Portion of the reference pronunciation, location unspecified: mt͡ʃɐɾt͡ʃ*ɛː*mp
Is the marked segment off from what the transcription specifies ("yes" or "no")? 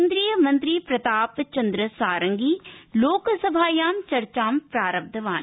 yes